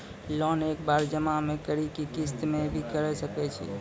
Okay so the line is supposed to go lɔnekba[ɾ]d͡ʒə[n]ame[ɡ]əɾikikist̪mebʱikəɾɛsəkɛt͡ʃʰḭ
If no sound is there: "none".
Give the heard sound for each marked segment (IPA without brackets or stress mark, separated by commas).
ɾ, m, k